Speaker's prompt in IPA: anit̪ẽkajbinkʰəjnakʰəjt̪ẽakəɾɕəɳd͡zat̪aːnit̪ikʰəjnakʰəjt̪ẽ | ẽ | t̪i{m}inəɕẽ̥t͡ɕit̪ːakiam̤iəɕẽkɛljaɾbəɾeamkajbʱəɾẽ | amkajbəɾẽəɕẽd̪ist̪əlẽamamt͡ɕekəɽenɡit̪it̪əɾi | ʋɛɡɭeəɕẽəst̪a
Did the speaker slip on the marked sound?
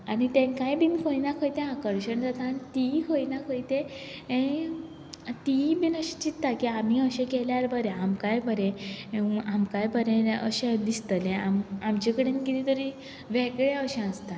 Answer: yes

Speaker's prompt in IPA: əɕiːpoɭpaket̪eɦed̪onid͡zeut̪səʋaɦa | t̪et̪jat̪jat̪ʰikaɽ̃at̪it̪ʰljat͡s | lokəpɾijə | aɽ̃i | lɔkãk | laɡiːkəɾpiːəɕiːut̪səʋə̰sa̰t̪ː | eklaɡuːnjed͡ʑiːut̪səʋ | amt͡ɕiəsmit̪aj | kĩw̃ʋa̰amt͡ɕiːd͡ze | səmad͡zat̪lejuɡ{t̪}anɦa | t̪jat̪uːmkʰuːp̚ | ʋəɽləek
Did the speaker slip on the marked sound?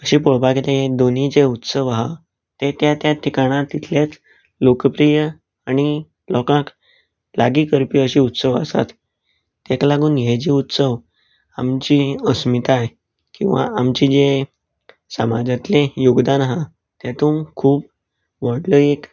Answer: yes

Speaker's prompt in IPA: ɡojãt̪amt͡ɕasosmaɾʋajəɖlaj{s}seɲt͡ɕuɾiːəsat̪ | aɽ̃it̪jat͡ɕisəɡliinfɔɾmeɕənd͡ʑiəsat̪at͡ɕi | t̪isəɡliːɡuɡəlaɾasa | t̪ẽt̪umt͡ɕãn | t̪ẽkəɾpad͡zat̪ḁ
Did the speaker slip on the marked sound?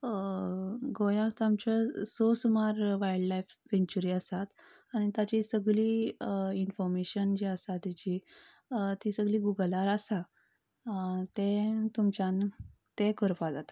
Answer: yes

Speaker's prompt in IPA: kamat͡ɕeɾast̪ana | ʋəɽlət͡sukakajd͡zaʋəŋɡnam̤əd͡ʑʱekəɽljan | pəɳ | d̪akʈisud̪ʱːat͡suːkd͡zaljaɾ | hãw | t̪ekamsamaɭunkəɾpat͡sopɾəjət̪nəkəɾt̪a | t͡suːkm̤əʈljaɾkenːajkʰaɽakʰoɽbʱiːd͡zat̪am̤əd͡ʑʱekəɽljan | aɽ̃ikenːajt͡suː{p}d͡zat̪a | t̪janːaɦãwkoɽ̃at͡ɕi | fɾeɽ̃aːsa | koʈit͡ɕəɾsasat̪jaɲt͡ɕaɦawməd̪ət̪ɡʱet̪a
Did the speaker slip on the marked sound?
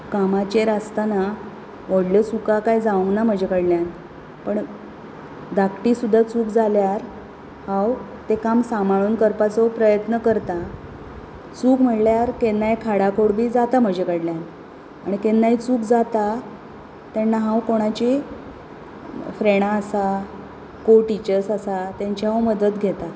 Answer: yes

